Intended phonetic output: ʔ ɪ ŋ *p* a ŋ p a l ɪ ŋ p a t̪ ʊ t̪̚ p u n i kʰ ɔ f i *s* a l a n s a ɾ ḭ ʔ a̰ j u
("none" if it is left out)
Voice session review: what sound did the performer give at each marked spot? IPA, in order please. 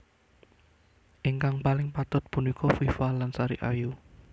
k, f

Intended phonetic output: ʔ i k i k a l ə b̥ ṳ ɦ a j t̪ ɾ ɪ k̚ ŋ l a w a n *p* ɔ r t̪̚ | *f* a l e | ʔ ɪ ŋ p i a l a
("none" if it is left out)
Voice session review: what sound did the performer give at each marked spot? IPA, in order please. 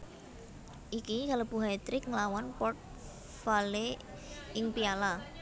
p, f

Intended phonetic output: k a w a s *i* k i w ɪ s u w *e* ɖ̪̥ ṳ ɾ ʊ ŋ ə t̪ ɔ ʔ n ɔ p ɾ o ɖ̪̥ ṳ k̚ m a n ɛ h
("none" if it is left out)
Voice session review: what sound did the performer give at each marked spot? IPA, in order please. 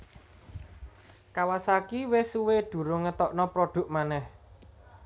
a, e

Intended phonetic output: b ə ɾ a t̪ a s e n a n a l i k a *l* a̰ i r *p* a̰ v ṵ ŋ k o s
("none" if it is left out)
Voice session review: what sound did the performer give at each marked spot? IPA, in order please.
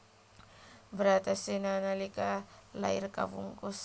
l, k

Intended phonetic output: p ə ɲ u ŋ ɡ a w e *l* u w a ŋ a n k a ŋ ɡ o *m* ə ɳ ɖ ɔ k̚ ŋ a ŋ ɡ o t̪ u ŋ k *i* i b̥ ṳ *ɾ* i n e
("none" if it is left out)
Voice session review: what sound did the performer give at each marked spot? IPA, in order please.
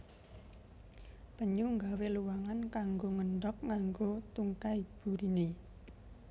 l, ŋ, a, ɾ

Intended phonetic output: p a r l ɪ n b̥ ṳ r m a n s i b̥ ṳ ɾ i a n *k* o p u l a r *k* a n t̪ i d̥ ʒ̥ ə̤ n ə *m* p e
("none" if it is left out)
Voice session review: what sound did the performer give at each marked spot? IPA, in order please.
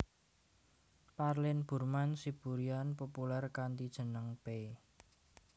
p, k, ŋ

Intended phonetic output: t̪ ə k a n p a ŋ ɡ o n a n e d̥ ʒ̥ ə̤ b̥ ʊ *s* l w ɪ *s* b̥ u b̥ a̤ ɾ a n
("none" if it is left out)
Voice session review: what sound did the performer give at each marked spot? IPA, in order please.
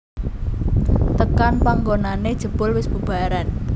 none, s

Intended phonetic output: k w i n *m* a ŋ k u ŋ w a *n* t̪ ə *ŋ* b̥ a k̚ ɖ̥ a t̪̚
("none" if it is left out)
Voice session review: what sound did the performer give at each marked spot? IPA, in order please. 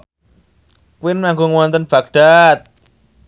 m, n, n

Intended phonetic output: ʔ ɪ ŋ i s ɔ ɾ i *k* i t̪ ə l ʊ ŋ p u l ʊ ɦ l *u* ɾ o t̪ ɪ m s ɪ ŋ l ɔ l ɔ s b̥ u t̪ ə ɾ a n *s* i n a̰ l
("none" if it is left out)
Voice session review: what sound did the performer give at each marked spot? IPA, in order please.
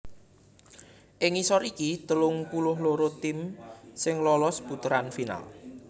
k, o, f

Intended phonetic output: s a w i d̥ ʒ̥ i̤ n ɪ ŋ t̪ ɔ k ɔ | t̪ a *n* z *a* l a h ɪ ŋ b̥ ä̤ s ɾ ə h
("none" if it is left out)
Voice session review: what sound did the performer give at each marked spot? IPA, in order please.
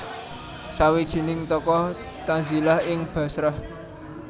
n, i

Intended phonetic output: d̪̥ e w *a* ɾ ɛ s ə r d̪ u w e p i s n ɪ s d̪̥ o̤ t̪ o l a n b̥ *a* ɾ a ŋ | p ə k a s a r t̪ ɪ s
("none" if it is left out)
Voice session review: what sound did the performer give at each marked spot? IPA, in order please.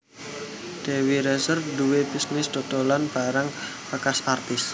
i, a

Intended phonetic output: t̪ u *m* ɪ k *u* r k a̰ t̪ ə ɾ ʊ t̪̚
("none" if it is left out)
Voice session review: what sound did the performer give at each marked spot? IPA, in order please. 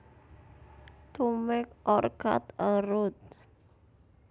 m, ɔ

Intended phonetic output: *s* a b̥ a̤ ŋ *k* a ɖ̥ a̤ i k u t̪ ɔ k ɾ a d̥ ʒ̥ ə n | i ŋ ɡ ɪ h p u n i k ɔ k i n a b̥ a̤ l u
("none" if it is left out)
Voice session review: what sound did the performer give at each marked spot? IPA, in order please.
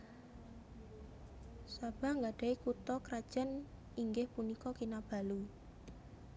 s, ɡ

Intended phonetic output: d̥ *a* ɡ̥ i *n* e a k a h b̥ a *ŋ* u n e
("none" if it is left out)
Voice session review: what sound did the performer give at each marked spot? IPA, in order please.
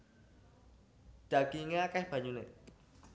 a, ŋ, ɲ

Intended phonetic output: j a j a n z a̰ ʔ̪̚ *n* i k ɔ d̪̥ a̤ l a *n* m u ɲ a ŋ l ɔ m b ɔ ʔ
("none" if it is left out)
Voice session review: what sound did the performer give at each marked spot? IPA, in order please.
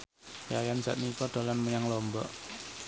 n, n

